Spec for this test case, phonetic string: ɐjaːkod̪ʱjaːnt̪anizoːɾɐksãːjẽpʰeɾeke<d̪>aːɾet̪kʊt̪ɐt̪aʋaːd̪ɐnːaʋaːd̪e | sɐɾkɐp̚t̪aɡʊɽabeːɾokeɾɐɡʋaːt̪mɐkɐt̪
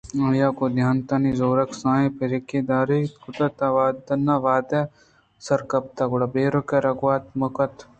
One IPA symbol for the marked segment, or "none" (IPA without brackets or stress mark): d̪